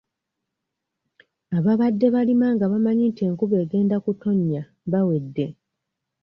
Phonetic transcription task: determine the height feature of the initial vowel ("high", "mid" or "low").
low